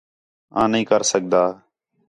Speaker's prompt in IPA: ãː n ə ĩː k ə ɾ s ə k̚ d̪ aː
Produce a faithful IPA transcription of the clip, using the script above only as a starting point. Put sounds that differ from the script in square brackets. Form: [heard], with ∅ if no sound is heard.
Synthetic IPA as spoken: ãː n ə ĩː k ə ɾ s ə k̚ d̪ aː